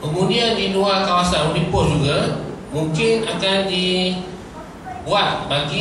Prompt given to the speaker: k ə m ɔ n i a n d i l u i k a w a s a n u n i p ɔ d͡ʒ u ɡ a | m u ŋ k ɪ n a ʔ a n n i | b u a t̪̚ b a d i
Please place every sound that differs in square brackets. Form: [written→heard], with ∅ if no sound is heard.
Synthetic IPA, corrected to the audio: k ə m [ɔ→u] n i a n d i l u [i→a] k a w a s a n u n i p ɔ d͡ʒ u ɡ a | m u ŋ k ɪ n a [ʔ→k] a n [n→d] i | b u a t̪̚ b a [d→ɡ] i